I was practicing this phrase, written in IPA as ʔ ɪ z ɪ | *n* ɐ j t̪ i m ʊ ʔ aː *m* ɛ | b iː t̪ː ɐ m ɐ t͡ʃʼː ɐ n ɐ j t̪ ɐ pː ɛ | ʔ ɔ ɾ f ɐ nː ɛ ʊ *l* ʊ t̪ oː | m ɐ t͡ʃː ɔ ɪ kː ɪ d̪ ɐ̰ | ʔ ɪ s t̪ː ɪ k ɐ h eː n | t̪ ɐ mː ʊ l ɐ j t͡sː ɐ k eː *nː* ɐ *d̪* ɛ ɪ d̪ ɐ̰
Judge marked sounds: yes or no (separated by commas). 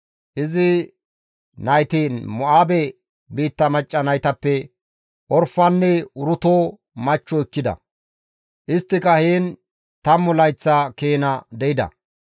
yes, no, no, no, yes